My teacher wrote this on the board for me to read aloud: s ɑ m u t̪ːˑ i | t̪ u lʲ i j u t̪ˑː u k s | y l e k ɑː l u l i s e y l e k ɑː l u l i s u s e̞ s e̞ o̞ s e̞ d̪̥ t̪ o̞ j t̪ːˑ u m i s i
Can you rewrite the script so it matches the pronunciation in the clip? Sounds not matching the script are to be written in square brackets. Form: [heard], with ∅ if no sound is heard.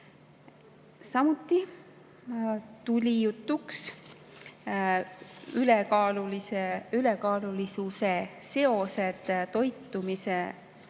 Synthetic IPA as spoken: s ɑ m u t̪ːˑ i | t̪ u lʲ i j u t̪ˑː u k s | y l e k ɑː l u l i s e y l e k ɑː l u l i s u s e̞ s e̞ o̞ s e̞ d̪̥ t̪ o̞ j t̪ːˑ u m i s [e]